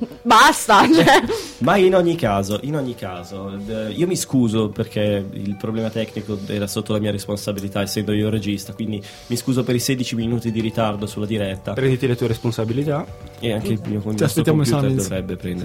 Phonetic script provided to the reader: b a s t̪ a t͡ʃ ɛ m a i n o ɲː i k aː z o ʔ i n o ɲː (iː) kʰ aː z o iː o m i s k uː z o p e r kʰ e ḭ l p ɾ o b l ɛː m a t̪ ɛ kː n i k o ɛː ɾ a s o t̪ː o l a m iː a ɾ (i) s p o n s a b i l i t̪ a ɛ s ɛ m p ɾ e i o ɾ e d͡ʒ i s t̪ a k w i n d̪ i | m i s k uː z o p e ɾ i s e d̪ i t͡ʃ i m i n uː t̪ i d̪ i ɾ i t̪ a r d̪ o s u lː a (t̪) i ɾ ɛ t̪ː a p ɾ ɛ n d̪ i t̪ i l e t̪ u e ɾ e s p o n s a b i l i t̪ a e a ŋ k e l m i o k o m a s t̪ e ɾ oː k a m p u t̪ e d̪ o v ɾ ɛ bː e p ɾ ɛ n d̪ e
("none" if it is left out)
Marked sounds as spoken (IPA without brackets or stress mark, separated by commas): i, e, d̪